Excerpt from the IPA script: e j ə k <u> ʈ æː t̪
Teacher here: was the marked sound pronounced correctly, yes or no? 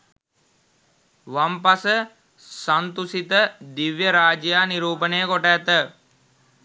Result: no